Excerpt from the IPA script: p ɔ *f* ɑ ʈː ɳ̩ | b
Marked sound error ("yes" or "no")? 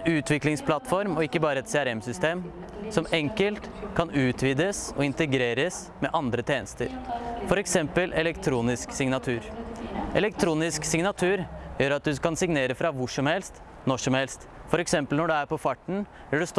no